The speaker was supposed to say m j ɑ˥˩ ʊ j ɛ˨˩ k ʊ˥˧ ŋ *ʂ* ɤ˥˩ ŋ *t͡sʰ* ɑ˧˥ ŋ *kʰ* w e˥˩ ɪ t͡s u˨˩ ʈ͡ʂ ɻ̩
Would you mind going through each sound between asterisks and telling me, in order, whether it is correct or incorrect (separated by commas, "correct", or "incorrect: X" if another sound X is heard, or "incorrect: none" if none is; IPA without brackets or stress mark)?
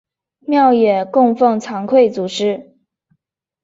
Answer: incorrect: f, correct, correct